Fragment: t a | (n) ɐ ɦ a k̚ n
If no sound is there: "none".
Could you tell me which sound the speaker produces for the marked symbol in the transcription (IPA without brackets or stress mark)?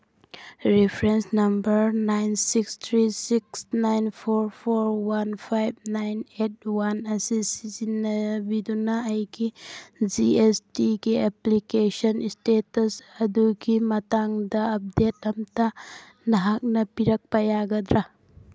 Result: n